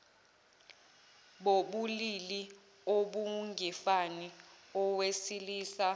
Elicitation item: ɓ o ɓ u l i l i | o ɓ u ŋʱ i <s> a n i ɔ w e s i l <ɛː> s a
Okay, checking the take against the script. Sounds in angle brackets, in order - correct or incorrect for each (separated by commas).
incorrect, incorrect